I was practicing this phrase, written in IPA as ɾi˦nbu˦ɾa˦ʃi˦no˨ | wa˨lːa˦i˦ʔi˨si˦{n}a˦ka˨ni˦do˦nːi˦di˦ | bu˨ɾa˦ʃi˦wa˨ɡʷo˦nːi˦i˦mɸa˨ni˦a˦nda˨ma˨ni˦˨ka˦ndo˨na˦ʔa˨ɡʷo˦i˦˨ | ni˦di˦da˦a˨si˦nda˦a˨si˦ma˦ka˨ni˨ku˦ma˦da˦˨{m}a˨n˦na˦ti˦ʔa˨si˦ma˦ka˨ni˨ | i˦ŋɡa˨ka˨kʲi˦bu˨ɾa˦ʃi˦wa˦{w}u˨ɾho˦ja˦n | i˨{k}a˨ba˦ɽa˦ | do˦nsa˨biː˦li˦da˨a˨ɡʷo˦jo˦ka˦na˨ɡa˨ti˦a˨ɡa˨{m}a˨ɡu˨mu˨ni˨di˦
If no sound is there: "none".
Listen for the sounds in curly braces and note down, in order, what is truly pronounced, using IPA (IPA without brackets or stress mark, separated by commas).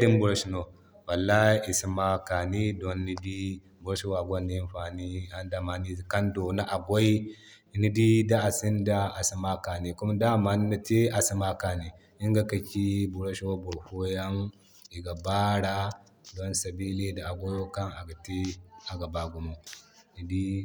m, m, b, ɡ, b